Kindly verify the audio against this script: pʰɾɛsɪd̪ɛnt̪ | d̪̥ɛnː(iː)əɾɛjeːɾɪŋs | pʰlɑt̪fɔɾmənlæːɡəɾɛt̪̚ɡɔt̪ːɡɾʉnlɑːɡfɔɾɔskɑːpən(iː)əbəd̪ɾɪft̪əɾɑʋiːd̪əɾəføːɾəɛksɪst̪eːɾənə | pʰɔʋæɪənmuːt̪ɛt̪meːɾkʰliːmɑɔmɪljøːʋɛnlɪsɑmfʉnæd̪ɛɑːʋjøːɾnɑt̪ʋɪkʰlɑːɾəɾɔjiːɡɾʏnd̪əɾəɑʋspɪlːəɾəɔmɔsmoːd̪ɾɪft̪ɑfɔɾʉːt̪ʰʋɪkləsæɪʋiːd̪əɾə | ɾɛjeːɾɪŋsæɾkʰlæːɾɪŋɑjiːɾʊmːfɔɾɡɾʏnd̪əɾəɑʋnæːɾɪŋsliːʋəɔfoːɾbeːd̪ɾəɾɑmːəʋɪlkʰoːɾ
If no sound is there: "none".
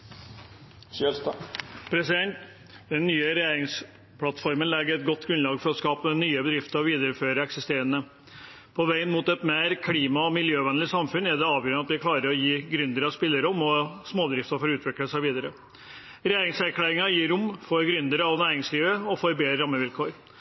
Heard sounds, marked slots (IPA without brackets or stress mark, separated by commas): yː, yː